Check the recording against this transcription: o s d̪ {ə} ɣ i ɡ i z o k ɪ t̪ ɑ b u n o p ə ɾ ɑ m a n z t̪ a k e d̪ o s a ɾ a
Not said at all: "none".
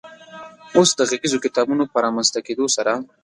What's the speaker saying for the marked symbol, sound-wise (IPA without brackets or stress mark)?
ə